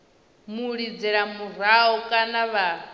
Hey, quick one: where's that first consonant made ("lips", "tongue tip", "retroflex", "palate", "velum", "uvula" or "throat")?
lips